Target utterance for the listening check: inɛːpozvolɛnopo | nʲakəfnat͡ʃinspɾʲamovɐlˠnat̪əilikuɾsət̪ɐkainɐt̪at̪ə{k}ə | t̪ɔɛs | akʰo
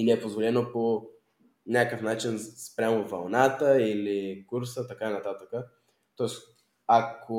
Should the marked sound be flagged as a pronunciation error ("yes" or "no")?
no